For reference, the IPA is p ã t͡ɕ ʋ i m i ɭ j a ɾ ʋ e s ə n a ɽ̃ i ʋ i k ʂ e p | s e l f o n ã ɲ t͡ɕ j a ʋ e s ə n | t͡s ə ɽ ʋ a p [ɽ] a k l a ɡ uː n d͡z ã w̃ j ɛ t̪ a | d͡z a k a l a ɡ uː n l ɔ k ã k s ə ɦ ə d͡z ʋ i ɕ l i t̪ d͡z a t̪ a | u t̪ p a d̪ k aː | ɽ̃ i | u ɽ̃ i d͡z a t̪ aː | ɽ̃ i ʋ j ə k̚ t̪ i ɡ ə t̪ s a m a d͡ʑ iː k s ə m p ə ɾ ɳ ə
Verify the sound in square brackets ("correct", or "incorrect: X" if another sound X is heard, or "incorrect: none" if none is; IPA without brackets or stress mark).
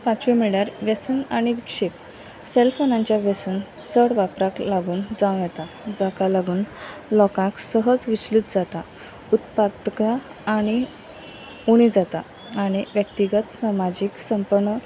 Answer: incorrect: ɾ